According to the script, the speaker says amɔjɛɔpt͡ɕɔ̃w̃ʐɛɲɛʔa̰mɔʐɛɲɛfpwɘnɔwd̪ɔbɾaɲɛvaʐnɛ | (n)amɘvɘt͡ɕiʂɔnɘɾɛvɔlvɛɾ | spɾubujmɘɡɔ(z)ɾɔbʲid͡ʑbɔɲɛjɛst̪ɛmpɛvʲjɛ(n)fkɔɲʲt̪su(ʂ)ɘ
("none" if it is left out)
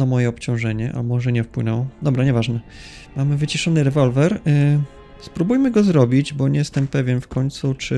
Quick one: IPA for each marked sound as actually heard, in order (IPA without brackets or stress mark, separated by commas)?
m, z, n, t͡ʂ